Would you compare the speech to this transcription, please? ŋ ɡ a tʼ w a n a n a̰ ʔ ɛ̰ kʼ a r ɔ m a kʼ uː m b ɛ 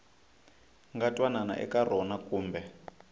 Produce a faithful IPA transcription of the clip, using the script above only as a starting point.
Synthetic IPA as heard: ŋ ɡ a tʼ w a n a n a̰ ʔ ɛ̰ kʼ a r ɔ n a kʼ uː m b ɛ